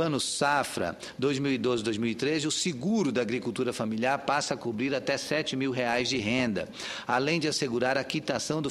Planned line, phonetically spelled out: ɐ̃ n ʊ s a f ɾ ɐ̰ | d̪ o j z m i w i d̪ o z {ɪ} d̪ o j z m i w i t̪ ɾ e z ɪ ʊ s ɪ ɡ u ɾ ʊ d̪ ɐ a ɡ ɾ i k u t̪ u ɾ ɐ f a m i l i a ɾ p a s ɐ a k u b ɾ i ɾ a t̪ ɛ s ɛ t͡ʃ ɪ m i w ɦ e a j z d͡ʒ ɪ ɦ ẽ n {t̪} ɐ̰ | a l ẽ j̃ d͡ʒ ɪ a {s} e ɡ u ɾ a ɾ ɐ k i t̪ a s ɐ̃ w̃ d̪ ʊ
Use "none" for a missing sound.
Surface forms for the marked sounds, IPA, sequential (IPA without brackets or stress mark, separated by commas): ɪ, d̪, s